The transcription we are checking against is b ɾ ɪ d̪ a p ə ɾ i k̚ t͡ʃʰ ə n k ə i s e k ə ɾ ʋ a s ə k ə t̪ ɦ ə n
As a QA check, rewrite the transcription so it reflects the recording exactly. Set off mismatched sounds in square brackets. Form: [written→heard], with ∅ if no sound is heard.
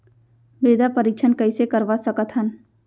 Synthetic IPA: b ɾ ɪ d̪ a p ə ɾ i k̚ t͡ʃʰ ə n k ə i s e k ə ɾ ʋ a s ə k ə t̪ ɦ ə n